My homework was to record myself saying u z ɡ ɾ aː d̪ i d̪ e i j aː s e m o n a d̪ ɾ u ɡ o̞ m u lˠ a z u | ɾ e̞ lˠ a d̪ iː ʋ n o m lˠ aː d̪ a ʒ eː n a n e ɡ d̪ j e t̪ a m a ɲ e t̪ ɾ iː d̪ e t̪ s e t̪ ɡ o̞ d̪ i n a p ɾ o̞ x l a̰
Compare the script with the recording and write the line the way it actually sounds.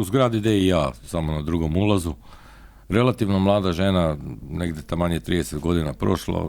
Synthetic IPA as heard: u z ɡ ɾ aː d̪ i d̪ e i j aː s a m o n a d̪ ɾ u ɡ o̞ m u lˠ a z u | ɾ e̞ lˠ a t̪ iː ʋ n o m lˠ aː d̪ a ʒ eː n a n e ɡ d̪ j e t̪ a m a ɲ e t̪ ɾ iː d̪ e s e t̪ ɡ o̞ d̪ i n a p ɾ o̞ ʃ l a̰